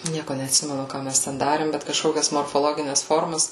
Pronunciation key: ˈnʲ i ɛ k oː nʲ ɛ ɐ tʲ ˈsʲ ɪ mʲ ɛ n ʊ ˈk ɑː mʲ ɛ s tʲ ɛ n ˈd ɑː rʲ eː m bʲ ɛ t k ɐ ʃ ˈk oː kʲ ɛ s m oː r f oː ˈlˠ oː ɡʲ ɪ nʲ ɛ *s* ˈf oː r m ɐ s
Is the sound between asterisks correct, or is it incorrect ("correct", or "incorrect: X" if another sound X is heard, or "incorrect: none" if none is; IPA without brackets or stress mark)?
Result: correct